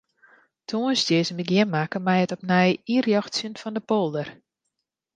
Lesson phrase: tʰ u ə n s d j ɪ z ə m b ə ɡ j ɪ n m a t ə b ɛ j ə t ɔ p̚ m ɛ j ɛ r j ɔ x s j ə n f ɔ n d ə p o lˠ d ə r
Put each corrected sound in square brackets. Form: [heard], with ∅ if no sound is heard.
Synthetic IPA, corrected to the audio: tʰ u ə n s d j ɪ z ə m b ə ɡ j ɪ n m a [k] ə [m] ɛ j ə t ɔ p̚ [n] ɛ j [i] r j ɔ x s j ə n f ɔ n d ə p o lˠ d ə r

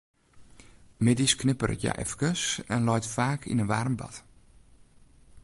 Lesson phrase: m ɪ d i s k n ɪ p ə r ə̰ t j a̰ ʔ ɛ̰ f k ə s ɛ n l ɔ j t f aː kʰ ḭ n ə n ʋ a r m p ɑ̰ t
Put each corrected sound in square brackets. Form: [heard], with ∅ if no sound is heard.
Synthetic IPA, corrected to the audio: m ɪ d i s k n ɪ p ə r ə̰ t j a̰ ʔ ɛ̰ f k ə s ɛ n l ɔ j t f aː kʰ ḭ n ə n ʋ a r m [b] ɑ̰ t

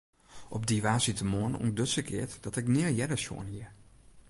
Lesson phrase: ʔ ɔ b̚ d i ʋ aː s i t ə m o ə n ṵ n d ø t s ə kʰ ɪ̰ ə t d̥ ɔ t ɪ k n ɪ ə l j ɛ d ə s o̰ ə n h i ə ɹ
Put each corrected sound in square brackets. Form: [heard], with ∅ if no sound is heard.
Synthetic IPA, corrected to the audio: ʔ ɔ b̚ d i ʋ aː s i t ə m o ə n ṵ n d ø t s ə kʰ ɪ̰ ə t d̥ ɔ t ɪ k n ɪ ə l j ɛ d ə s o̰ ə n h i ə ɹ

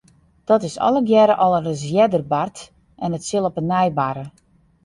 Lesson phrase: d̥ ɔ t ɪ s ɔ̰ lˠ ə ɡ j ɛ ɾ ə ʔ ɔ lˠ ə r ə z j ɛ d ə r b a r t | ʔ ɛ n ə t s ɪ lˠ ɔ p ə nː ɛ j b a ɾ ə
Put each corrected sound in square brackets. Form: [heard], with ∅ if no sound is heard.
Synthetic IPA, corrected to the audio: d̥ ɔ t ɪ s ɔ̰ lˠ ə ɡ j ɛ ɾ ə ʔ ɔ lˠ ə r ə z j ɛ d ə r b a r t | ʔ ɛ n ə t s ɪ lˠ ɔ p ə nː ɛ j b a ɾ ə

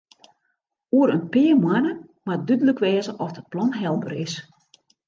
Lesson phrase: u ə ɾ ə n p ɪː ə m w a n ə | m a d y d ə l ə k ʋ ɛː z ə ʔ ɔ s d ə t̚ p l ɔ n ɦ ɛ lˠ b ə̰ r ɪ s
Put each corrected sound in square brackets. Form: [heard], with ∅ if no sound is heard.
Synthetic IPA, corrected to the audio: u ə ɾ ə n p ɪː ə m w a n ə | m a d y d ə l ə k ʋ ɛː z ə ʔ ɔ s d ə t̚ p l ɔ n ɦ ɛ lˠ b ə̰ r ɪ s

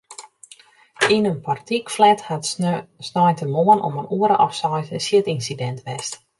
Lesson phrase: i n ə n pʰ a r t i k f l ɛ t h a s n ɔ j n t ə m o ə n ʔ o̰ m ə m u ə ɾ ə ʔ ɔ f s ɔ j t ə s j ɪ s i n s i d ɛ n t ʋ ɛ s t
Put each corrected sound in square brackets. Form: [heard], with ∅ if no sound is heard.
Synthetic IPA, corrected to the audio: i n ə n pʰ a r t i k f l ɛ t h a s n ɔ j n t ə m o ə n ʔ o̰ m ə [n] u ə ɾ ə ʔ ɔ f s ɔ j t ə s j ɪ [t] i n s i d ɛ n t ʋ ɛ s t

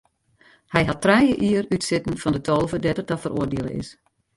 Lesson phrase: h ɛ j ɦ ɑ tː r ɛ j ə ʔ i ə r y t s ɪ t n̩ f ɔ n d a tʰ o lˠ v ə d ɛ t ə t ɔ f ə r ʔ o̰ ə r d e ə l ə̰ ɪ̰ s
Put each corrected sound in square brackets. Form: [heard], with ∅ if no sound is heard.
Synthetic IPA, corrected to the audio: h ɛ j ɦ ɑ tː r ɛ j ə ʔ i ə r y t s ɪ t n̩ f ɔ n d [ə] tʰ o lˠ v ə d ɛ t ə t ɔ f ə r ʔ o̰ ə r d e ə l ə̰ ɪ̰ s

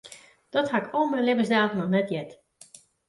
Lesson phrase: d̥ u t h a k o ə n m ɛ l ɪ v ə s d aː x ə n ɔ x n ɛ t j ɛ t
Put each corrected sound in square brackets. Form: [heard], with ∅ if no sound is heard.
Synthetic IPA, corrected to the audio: d̥ [ɔ] t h a k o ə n m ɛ l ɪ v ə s d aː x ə n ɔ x n ɛ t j ɛ t

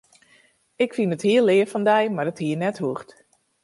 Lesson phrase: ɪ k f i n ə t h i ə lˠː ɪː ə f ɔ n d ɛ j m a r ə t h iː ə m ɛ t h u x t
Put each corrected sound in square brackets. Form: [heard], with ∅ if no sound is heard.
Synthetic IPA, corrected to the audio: ɪ k f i n ə t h i ə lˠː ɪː ə f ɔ n d ɛ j m a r ə t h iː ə [n] ɛ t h u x t

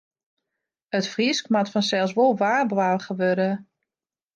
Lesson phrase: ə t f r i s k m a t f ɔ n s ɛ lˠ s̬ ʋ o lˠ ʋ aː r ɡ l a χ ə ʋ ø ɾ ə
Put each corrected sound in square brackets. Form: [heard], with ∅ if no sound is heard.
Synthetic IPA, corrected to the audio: ə t f r i s k m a t f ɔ n s ɛ lˠ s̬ ʋ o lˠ ʋ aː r [b] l a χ ə ʋ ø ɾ ə

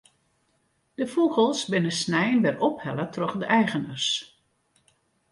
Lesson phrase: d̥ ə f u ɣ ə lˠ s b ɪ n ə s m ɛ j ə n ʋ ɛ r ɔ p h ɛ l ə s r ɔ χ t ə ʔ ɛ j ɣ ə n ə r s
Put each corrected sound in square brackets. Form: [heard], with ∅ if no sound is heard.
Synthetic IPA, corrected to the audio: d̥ ə f u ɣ ə lˠ s b ɪ n ə s [n] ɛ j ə n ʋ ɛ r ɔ p h ɛ l ə [t] r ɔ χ [d] ə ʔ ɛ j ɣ ə n ə r s

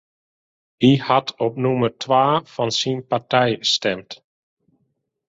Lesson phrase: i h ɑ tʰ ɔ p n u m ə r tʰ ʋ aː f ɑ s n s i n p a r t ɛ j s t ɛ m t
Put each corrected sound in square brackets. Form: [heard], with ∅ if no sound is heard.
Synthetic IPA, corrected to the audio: i h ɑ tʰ ɔ p n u m ə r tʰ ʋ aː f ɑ [∅] n s i n p a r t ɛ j s t ɛ m t

